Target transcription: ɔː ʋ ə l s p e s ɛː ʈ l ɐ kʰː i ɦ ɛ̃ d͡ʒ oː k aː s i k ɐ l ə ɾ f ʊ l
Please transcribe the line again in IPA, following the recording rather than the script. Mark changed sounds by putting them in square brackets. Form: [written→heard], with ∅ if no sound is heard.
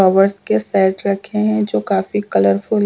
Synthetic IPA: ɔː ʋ ə [l→ɾ] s [p→k] e s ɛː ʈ [l→ɾ] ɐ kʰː [i→e] ɦ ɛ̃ d͡ʒ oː k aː [s→f] i k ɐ l ə ɾ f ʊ l